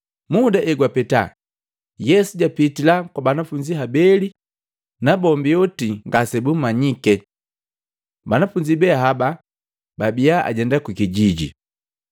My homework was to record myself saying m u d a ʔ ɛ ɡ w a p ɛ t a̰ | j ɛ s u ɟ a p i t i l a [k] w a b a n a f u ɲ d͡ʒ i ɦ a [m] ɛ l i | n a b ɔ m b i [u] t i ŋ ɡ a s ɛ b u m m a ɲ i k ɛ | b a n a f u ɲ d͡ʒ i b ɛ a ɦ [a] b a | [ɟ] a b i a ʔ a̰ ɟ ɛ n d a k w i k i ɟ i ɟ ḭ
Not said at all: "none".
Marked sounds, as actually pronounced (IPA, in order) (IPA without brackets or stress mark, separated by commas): k, b, ɔ, a, b